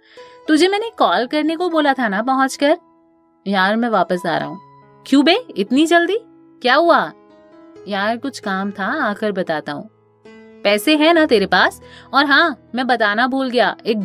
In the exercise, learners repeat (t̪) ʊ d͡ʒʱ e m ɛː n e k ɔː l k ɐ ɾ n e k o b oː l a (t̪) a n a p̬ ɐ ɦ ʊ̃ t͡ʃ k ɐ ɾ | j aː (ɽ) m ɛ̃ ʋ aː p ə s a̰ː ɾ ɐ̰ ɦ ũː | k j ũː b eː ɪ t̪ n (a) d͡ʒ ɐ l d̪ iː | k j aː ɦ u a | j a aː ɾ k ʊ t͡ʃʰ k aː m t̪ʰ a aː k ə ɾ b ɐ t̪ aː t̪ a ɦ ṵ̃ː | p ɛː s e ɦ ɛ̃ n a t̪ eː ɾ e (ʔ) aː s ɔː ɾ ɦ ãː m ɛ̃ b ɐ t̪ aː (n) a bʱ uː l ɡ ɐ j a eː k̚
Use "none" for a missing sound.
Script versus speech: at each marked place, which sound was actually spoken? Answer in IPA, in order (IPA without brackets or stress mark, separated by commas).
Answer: t̪, t̪ʰ, ɾ, i, p, n